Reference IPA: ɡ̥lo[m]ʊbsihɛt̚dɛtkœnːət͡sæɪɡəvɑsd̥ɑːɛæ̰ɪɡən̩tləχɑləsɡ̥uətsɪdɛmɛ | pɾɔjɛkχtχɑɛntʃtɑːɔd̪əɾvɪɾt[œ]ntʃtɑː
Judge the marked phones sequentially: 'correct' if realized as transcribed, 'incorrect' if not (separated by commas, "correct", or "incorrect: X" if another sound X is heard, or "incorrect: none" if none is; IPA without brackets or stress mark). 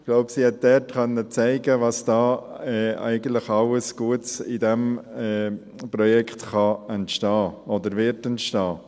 incorrect: none, incorrect: ɛ